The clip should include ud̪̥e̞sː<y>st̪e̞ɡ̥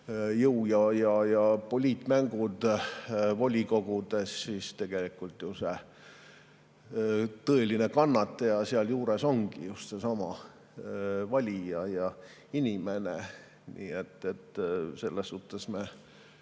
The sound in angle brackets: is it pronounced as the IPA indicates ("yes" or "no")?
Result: no